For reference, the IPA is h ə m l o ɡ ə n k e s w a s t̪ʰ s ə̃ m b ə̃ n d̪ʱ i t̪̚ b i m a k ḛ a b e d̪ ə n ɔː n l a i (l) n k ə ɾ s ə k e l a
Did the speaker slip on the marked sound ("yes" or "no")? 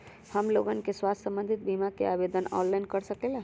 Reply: yes